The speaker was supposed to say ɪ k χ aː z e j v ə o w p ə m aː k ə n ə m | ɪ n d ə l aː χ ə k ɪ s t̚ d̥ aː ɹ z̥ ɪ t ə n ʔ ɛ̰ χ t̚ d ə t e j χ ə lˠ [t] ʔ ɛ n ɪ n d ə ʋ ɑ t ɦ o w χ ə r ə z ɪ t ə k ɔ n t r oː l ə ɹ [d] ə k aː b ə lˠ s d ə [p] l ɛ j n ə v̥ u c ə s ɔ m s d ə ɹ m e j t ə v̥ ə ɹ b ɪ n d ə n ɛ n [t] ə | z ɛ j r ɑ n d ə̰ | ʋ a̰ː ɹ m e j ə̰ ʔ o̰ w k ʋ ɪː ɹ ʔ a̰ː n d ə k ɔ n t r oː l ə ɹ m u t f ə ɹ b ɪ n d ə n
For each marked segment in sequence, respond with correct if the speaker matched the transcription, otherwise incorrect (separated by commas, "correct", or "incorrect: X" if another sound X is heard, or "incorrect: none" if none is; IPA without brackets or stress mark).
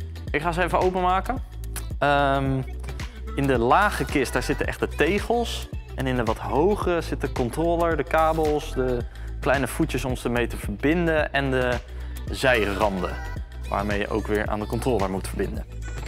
incorrect: s, correct, incorrect: k, incorrect: d